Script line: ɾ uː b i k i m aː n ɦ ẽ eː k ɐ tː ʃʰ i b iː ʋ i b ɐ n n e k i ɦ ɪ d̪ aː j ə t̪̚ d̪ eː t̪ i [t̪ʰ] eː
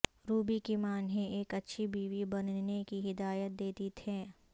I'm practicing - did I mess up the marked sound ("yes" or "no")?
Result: no